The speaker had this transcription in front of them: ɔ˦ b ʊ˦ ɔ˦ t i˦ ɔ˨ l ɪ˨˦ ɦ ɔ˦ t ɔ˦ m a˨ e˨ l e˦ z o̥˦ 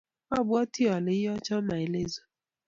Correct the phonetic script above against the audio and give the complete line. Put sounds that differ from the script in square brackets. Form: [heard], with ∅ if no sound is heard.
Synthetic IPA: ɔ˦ b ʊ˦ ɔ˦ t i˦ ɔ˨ l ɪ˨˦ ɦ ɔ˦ [t͡ʃ] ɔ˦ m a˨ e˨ l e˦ z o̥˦